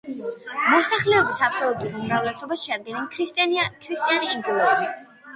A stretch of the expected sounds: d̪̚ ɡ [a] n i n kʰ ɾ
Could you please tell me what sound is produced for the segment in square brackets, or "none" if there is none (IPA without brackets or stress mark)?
ɛ